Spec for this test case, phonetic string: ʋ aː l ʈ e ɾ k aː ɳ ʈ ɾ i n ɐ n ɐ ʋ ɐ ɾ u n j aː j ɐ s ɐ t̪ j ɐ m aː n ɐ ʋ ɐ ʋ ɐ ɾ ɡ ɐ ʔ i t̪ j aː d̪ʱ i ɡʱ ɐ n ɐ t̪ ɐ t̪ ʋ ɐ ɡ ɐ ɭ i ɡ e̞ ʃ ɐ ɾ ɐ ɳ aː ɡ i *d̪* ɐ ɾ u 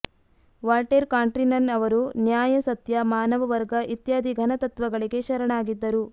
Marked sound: incorrect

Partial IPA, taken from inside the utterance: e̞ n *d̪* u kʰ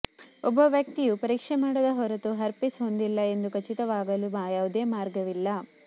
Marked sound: correct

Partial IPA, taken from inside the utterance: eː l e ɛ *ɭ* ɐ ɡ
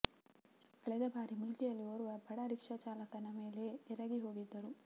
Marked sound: incorrect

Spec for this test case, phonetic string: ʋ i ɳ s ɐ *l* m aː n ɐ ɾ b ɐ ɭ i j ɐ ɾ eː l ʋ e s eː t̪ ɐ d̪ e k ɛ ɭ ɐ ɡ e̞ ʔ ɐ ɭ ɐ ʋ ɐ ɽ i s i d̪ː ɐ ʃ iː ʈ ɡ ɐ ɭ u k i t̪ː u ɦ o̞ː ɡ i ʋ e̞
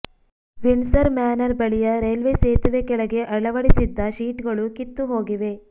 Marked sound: incorrect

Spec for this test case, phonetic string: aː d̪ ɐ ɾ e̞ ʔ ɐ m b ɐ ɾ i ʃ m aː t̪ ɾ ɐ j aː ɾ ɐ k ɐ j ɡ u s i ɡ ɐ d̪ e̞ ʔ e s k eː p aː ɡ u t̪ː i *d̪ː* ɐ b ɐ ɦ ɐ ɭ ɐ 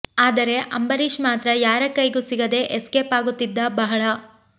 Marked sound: correct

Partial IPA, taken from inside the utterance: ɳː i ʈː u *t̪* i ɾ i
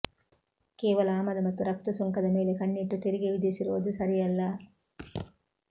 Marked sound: correct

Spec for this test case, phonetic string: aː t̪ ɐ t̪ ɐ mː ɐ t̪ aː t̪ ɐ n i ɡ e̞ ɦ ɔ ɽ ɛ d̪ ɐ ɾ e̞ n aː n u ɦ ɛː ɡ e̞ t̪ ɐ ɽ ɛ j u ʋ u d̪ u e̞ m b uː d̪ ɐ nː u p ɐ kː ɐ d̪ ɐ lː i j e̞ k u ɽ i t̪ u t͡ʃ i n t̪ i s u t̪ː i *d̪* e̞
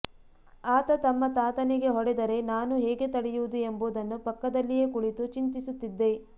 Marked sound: incorrect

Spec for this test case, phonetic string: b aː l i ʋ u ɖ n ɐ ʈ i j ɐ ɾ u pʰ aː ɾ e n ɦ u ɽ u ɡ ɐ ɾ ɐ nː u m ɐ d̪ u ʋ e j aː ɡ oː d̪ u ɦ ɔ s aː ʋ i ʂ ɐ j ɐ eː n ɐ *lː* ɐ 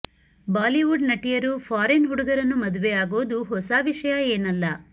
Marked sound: correct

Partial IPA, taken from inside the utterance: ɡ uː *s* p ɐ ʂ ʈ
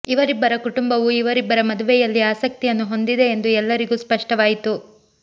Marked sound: correct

